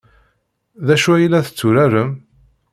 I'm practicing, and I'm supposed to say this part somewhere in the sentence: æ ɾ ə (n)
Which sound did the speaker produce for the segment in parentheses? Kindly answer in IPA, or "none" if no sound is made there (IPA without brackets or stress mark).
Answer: m